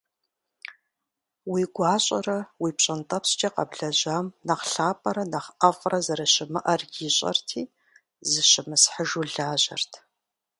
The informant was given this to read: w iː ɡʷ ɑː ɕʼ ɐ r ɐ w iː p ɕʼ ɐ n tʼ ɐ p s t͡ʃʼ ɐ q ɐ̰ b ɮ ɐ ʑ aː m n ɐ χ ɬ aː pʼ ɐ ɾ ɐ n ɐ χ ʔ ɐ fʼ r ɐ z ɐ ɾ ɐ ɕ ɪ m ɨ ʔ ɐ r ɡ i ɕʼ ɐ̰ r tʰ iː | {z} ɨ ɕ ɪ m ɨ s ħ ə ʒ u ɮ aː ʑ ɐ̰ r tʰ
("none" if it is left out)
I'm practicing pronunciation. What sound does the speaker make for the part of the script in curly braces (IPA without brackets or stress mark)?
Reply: z